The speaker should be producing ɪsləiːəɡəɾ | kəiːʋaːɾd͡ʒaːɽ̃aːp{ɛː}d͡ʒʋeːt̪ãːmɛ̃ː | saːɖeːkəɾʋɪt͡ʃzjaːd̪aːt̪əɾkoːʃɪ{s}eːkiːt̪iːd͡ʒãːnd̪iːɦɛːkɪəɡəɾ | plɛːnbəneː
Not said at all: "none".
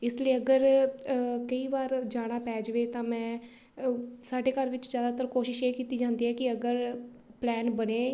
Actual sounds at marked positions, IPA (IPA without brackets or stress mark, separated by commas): ɛː, ʃ